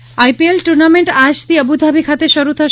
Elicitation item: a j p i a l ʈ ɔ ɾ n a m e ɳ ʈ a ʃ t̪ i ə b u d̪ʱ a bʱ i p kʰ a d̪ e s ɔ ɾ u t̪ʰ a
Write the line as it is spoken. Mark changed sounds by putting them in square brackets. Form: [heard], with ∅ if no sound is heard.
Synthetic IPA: a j p i [e] l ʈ [u] ɾ n a m e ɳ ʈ a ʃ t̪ i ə b u d̪ʱ a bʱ i [∅] kʰ a [t̪] e [ʃ] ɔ ɾ u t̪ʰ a